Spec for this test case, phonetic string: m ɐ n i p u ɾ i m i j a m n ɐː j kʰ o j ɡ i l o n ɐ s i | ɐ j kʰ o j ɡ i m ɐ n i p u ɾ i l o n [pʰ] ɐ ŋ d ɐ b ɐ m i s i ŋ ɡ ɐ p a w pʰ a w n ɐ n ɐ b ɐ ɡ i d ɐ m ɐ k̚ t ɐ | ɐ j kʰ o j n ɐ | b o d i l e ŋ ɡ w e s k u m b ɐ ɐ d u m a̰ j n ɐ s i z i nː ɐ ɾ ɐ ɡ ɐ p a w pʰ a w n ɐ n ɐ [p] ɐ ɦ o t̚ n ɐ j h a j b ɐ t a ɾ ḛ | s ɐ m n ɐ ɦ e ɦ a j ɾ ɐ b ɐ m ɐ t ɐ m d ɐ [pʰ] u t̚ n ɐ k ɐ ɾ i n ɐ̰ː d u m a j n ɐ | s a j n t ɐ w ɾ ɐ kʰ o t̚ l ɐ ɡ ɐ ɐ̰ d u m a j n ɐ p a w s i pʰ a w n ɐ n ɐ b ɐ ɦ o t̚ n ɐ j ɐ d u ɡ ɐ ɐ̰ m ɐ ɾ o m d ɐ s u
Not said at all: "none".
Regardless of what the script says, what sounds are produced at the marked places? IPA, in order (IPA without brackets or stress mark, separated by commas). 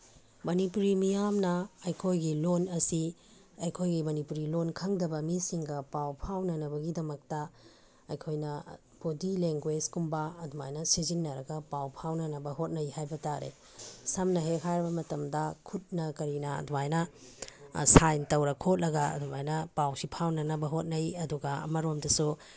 kʰ, b, kʰ